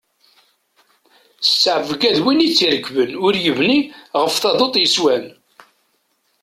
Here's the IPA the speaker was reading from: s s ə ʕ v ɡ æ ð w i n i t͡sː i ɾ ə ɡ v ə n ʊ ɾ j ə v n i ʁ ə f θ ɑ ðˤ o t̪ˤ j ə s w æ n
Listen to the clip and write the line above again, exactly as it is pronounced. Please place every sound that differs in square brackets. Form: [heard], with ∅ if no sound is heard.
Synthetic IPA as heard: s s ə ʕ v ɡ æ ð w i n i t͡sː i ɾ ə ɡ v ə n ʊ ɾ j ə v n i ʁ ə f θ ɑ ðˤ o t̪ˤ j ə s w æ n